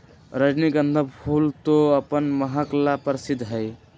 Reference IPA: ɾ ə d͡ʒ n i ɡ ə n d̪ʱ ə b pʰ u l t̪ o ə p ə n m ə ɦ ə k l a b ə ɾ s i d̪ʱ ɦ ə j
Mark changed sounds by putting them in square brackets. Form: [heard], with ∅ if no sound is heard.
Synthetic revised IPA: ɾ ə d͡ʒ n i ɡ ə n d̪ʱ ə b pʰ u l t̪ o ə p ə n m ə ɦ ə k l a [p] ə ɾ s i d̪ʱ ɦ ə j